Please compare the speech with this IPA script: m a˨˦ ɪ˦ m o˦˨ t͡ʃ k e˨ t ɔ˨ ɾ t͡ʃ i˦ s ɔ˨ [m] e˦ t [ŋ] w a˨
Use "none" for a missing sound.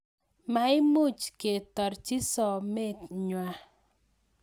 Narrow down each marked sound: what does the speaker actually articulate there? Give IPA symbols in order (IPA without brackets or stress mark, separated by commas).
m, ɲ